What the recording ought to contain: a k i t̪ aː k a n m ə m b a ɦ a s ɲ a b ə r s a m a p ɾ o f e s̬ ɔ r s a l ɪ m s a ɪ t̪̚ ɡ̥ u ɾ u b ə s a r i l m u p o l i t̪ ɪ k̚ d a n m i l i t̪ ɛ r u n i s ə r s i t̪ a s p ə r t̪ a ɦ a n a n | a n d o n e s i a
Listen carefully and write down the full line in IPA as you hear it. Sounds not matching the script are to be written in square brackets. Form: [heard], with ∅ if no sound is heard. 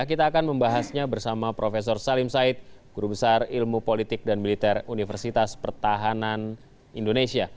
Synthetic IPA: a k i t̪ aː k a n m ə m b a ɦ a s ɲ a b ə r s a m a p ɾ o f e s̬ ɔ r s a l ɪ m s a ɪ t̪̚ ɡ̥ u ɾ u b ə s a r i l m u p o l i t̪ ɪ k̚ d a n m i l i t̪ ɛ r u n i [f] ə r s i t̪ a s p ə r t̪ a ɦ a n a n | [i] n d o n e s i a

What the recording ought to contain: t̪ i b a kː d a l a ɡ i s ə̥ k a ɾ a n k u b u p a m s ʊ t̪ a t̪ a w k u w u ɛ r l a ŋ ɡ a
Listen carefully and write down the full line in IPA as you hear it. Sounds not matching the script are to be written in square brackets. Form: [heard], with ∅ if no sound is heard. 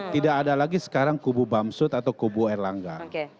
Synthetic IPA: t̪ i [d] a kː d a l a ɡ i s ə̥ k a ɾ a [ŋ] k u b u [b] a m s ʊ t̪ a t̪ a w k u [b] u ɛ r l a ŋ ɡ a

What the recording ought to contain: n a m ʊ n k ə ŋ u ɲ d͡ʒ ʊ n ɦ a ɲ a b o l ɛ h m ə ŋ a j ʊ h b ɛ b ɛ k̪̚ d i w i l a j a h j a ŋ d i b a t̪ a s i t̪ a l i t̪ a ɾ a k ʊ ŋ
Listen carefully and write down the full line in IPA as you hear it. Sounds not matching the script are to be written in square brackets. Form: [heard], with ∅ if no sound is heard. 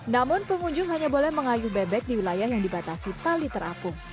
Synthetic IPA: n a m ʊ n [p] ə ŋ u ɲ d͡ʒ ʊ [ŋ] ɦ a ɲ a b o l ɛ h m ə ŋ a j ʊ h b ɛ b ɛ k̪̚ d i w i l a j a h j a ŋ d i b a t̪ a s i t̪ a l i t̪ [ə] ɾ a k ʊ ŋ

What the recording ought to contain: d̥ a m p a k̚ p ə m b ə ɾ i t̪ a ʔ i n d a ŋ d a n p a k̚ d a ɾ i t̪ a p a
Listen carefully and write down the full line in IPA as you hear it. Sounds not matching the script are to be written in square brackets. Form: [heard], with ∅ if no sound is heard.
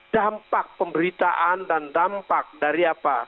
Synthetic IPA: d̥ a m p a k̚ p ə m b ə ɾ i t̪ a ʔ [a] n d a [n] d a [m] p a k̚ d a ɾ i [∅] a p a

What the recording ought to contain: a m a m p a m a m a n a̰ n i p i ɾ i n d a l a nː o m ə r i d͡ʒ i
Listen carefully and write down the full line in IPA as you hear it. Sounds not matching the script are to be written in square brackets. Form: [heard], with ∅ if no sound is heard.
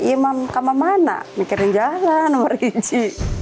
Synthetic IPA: [i] m a m [k] a m a m a n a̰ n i [k] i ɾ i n [d͡ʒ] a l a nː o m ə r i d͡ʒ i

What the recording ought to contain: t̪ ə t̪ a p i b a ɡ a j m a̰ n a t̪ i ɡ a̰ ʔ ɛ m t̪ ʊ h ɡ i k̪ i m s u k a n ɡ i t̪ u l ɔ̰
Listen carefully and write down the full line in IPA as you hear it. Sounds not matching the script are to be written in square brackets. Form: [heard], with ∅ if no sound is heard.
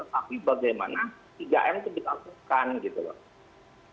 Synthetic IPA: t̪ ə t̪ a p i b a ɡ a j m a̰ n a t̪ i ɡ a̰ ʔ ɛ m t̪ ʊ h [d] i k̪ [a] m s u k a n ɡ i t̪ u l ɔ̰

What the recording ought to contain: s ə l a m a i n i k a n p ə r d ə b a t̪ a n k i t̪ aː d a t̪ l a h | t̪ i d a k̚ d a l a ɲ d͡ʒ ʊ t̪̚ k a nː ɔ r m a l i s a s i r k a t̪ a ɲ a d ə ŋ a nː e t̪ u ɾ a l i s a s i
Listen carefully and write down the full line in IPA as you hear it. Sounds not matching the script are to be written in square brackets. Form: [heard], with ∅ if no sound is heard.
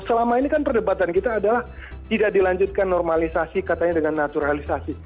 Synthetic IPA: s ə l a m a i n i k a n p ə r d ə b a t̪ a n k i t̪ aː d a [∅] l a h | t̪ i d a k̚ d [i] l a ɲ d͡ʒ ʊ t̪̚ k a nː ɔ r m a l i s a s i [∅] k a t̪ a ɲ a d ə ŋ a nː [a] t̪ u ɾ a l i s a s i

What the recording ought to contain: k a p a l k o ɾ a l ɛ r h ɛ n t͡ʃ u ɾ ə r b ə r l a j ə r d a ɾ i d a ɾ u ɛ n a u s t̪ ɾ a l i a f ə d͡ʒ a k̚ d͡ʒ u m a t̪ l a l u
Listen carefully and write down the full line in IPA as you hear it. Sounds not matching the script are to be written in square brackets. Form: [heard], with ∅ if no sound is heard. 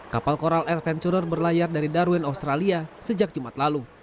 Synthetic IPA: k a p a l k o ɾ a l ɛ r [f] ɛ n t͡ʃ u ɾ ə r b ə r l a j [a] r d a ɾ i d a ɾ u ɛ n a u s t̪ ɾ a l i a [s] ə d͡ʒ a k̚ d͡ʒ u m a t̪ l a l u

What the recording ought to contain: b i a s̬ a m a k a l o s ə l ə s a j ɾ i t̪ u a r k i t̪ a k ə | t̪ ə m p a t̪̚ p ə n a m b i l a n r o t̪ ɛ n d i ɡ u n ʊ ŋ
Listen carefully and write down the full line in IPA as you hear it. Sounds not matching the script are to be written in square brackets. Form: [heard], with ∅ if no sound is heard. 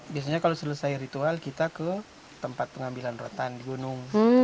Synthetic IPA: b i a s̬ a [ɲ] a k a l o s ə l ə s a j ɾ i t̪ u a [l] k i t̪ a k ə | t̪ ə m p a t̪̚ p ə [ŋ] a m b i l a n r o t̪ [a] n d i ɡ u n ʊ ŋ

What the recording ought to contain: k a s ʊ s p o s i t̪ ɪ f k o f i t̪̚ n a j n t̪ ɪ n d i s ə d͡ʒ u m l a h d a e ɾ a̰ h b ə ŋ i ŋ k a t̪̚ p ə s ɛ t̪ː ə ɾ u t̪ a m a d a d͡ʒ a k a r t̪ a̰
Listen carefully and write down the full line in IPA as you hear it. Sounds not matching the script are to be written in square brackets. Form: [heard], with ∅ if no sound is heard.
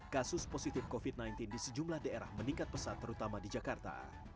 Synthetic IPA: k a s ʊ s p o s i t̪ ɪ f k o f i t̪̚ n a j n t̪ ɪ n d i s ə d͡ʒ u m l a h d a e ɾ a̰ h [m] ə [n] i ŋ k a t̪̚ p ə s [a] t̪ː ə ɾ u t̪ a m a d [i] d͡ʒ a k a r t̪ a̰

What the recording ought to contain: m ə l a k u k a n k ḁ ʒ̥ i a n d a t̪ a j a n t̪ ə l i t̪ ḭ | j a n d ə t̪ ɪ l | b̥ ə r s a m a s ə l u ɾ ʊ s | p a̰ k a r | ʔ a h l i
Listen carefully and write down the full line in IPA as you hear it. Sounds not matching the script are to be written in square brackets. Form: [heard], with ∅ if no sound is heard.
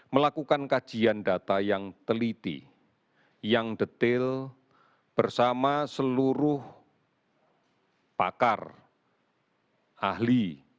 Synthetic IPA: m ə l a k u k a n k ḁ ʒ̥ i a n d a t̪ a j a [ŋ] t̪ ə l i t̪ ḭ | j a [ŋ] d ə t̪ ɪ l | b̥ ə r s a m a s ə l u ɾ ʊ [h] | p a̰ k a r | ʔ a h l i

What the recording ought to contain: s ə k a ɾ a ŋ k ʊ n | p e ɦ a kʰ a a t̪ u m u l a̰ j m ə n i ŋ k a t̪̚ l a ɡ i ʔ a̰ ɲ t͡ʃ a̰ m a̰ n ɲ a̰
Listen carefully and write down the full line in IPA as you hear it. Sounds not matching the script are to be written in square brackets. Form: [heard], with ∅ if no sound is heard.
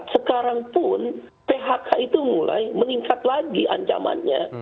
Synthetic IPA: s ə k a ɾ a ŋ [p] ʊ n | p e ɦ a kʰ a [i] t̪ u m u l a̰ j m ə n i ŋ k a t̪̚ l a ɡ i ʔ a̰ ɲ t͡ʃ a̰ m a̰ n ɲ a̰

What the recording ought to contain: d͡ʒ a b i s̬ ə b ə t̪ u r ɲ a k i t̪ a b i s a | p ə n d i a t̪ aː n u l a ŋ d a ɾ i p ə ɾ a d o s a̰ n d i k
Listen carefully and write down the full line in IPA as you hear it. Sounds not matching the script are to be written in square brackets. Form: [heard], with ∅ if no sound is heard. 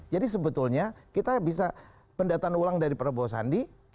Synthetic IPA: d͡ʒ a [d] i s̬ ə b ə t̪ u [l] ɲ a k i t̪ a b i s a | p ə n d [a] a t̪ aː n u l a ŋ d a ɾ i p ə ɾ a [b] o s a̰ n d i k

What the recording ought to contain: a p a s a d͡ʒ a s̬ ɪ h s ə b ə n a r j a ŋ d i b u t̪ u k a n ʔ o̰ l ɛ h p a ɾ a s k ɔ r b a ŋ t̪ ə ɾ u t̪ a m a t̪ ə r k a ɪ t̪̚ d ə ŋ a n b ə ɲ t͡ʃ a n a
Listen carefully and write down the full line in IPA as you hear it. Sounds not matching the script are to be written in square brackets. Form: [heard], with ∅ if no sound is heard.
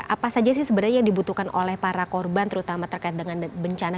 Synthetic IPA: a p a s a d͡ʒ a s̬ ɪ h s ə b ə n a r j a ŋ d i b u t̪ u k a n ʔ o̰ l ɛ h p a ɾ a [∅] k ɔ r b a [n] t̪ ə ɾ u t̪ a m a t̪ ə r k a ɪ t̪̚ d ə ŋ a n b ə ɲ t͡ʃ a n a

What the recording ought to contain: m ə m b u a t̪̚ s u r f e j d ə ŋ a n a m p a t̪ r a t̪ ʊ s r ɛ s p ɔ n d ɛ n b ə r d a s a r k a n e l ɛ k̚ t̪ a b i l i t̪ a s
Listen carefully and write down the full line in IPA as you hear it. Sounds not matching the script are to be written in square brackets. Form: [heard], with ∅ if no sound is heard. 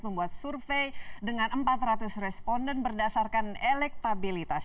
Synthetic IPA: m ə m b u a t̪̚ s u r f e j d ə ŋ a n [ə] m p a t̪ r a t̪ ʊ s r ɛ s p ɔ n d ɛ n b ə r d a s a r k a n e l ɛ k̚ t̪ a b i l i t̪ a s

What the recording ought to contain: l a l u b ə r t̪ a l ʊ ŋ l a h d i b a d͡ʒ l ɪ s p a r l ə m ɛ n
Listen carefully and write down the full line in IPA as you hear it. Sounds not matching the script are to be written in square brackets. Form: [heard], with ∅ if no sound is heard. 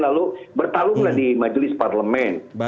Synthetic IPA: l a l u b ə r t̪ a l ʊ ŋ l a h d i [m] a d͡ʒ l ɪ s p a r l ə m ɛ n

